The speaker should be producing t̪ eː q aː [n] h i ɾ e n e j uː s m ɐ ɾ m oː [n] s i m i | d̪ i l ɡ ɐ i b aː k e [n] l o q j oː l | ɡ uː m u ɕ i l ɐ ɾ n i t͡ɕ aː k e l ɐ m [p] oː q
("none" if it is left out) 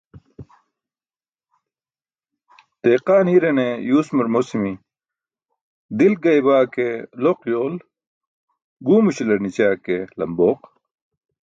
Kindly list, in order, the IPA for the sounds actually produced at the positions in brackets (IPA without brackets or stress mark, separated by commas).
n, none, none, b